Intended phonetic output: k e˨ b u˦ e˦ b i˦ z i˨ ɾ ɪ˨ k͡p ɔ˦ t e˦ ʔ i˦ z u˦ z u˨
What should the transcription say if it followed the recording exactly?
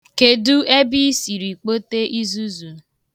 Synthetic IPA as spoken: k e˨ d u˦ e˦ b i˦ s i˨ ɾ i˨ k͡p o˦ t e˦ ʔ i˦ z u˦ z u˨